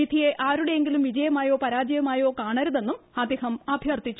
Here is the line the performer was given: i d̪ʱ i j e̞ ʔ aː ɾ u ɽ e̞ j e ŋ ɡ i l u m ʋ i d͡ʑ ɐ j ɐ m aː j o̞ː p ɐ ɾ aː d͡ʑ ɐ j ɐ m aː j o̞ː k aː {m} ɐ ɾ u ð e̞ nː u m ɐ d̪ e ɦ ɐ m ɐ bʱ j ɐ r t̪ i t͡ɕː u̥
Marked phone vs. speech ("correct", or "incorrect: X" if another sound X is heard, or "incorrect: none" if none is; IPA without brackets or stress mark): incorrect: ɳ